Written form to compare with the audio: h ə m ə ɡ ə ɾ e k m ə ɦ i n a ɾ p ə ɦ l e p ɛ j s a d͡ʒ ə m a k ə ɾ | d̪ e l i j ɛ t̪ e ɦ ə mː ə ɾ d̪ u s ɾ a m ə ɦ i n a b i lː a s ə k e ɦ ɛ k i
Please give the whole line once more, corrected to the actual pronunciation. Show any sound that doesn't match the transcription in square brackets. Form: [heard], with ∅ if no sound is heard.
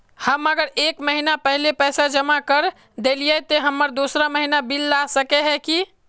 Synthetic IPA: h ə m ə ɡ ə ɾ e k m ə ɦ i n a [∅] p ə ɦ l e p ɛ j s a d͡ʒ ə m a k ə ɾ | d̪ e l i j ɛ t̪ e ɦ ə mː ə ɾ d̪ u s ɾ a m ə ɦ i n a b i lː a s ə k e ɦ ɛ k i

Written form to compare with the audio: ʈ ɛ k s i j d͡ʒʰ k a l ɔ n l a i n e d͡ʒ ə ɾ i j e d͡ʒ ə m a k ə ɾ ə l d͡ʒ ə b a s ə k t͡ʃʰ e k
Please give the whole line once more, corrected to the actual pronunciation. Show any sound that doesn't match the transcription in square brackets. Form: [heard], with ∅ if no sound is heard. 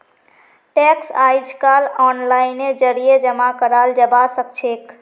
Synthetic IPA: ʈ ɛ k s [a] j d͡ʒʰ k a l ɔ n l a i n e d͡ʒ ə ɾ i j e d͡ʒ ə m a k ə ɾ [a] l d͡ʒ ə b a s ə k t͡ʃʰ e k

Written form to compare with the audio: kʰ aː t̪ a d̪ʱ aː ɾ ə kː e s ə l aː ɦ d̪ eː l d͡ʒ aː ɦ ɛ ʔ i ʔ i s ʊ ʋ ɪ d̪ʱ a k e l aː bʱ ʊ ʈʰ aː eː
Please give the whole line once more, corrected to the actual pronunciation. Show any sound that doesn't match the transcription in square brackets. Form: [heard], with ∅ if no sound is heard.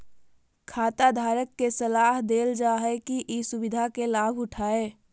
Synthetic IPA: kʰ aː t̪ a d̪ʱ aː ɾ ə kː e s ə l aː ɦ d̪ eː l d͡ʒ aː ɦ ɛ [k] i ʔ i s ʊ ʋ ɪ d̪ʱ a k e l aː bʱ ʊ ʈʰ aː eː

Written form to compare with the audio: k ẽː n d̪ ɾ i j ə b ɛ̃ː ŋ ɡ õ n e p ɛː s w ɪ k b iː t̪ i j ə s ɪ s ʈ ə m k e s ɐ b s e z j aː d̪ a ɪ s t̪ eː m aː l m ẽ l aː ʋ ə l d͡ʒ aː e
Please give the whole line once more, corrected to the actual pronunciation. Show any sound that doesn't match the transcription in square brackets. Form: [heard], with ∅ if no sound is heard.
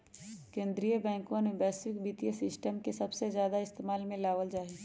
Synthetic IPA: k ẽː n d̪ ɾ i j ə b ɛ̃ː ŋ [k] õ n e [b] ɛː s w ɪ k b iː t̪ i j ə s ɪ s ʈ ə m k e s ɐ b s e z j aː d̪ a ɪ s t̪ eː m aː l m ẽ l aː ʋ ə l d͡ʒ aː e

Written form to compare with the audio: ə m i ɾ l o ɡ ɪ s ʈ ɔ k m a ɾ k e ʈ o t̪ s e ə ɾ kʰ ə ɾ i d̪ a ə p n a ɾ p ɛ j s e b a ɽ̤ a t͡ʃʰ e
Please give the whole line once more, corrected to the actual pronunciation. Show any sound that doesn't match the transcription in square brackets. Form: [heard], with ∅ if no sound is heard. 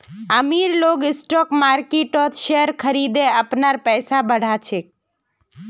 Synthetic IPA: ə m i ɾ l o ɡ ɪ s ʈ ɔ k m a ɾ k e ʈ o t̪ [ʃ] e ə ɾ kʰ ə ɾ i d̪ [e] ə p n a ɾ p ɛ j s [a] b [ə] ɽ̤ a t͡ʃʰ e

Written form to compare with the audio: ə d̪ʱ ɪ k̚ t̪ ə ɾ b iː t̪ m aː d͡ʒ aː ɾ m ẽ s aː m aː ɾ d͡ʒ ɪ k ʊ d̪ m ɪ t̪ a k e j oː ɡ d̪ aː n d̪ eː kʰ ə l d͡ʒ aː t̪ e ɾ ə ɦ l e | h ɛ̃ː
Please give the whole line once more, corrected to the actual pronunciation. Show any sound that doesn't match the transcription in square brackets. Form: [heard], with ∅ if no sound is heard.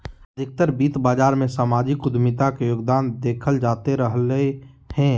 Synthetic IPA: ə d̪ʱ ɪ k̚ t̪ ə ɾ b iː t̪ [b] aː d͡ʒ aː ɾ m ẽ s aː m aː [∅] d͡ʒ ɪ k ʊ d̪ m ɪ t̪ a k e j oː ɡ d̪ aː n d̪ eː kʰ ə l d͡ʒ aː t̪ e ɾ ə ɦ l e | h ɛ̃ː

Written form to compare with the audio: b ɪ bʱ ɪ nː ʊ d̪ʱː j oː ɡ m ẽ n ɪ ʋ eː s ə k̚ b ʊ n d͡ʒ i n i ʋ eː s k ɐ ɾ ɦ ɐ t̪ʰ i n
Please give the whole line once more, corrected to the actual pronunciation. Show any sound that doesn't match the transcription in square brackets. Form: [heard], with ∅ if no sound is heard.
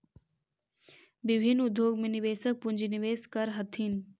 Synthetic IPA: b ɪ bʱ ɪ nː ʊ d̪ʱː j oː ɡ m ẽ n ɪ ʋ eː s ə k̚ [p] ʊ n d͡ʒ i n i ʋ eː s k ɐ ɾ ɦ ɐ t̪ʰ i n

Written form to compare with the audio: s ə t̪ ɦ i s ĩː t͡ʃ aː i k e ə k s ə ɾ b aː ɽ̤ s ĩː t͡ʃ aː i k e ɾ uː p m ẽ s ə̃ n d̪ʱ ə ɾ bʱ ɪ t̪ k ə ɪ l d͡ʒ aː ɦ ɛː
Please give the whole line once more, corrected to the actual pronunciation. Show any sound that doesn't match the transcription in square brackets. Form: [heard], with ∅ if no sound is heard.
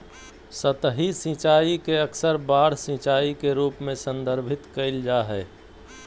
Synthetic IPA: s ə t̪ ɦ i s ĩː t͡ʃ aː i k e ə k s ə ɾ b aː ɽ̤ s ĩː t͡ʃ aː i k e ɾ uː p m ẽ s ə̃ n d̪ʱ ə ɾ bʱ ɪ t̪ k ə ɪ l d͡ʒ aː ɦ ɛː

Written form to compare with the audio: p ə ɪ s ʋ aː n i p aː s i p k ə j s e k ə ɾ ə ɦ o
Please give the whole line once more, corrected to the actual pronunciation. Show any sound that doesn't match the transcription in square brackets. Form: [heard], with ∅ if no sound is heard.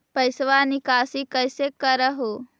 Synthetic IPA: p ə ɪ s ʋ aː n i [k] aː s i [∅] k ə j s e k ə ɾ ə ɦ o

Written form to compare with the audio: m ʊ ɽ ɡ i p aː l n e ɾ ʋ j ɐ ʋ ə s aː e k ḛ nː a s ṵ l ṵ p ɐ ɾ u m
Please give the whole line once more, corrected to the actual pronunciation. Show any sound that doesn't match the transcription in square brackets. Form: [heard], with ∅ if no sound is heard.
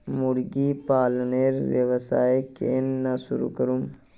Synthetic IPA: m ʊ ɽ ɡ i p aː l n e ɾ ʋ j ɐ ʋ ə s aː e k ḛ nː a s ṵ [ɾ] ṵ [k] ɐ ɾ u m

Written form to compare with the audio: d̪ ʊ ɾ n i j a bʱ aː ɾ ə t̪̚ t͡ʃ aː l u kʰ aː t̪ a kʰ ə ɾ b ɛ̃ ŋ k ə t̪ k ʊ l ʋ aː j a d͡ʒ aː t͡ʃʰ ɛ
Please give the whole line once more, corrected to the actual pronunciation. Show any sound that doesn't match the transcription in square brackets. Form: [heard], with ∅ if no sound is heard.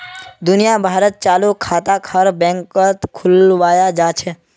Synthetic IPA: d̪ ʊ [∅] n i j a bʱ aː ɾ ə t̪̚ t͡ʃ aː l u kʰ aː t̪ a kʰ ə ɾ b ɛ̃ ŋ k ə t̪ [kʰ] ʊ l ʋ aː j a d͡ʒ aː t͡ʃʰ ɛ

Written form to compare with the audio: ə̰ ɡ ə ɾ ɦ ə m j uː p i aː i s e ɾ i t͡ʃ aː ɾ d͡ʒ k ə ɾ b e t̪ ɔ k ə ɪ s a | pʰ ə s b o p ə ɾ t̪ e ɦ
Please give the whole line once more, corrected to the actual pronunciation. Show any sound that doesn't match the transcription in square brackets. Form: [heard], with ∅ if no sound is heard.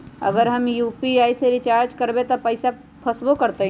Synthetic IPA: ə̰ ɡ ə ɾ ɦ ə m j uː p i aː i s e ɾ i t͡ʃ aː ɾ d͡ʒ k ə ɾ b e t̪ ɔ [p] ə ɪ s a | pʰ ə s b o [k] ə ɾ t̪ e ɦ

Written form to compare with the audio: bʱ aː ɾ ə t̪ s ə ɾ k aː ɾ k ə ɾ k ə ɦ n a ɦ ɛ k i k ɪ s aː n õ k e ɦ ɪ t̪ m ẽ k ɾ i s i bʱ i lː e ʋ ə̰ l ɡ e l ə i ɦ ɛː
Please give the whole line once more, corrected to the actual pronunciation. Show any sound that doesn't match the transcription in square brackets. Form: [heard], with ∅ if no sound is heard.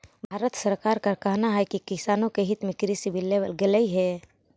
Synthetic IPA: bʱ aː ɾ ə t̪ s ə ɾ k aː ɾ k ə ɾ k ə ɦ n a ɦ ɛ k i k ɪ s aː n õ k e ɦ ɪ t̪ m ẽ k ɾ i s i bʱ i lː e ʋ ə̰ l ɡ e l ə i ɦ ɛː

